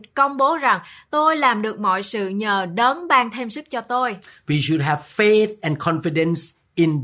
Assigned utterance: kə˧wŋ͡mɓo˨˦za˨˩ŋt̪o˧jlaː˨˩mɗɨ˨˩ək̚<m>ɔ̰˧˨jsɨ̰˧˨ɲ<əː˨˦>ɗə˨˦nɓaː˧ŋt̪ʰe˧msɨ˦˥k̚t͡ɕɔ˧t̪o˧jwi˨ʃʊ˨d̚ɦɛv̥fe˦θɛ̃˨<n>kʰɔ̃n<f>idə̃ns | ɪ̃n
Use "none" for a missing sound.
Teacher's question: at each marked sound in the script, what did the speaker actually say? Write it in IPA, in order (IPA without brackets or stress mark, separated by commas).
m, əː˨˩, n, f